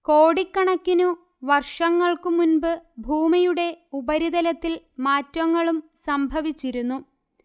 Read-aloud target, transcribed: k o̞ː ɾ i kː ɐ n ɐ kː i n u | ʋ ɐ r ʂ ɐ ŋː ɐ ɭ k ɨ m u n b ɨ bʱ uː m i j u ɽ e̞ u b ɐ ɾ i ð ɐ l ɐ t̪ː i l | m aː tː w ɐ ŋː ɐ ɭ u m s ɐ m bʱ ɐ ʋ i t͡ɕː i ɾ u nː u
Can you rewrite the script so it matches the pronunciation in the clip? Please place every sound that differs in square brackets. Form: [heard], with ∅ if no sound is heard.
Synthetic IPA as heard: k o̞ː [ɽ] i kː ɐ [ɳ] ɐ kː i n u | ʋ ɐ r ʂ ɐ ŋː ɐ ɭ k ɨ m u n b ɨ bʱ uː m i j u ɽ e̞ u b ɐ ɾ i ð ɐ l ɐ t̪ː i l | m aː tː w ɐ ŋː ɐ ɭ u m s ɐ m bʱ ɐ ʋ i t͡ɕː i ɾ u nː u